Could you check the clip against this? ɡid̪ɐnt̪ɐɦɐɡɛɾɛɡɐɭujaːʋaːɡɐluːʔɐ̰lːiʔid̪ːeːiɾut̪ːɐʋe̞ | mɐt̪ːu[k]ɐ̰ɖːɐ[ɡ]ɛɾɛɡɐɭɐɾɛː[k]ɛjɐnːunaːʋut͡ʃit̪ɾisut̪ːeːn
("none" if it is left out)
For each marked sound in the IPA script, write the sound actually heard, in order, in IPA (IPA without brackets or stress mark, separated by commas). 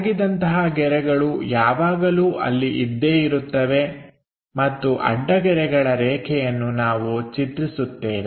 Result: ʔ, ɡ, kʰ